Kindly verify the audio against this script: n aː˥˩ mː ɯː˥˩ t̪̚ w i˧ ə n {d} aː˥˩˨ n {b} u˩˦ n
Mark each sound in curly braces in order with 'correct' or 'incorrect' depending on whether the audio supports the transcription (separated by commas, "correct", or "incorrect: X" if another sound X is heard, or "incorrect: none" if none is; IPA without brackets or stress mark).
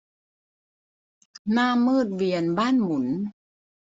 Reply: incorrect: b, incorrect: m